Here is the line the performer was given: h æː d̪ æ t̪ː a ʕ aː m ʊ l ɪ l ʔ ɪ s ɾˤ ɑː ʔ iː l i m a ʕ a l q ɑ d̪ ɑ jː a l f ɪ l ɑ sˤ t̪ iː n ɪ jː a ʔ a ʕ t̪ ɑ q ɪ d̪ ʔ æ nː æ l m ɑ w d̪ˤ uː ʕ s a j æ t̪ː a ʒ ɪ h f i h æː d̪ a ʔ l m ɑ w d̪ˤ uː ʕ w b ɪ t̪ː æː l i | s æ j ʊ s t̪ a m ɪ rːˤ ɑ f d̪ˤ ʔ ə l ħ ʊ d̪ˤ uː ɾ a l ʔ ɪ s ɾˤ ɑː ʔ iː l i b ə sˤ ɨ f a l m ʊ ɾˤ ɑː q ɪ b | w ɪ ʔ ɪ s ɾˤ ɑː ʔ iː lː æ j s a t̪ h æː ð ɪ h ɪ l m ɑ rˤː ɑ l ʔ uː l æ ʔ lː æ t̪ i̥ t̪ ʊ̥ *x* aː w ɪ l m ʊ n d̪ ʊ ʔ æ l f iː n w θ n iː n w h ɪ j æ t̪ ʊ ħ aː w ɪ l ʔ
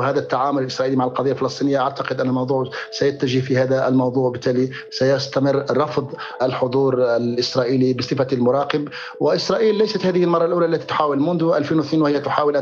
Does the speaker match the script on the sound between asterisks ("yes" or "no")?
no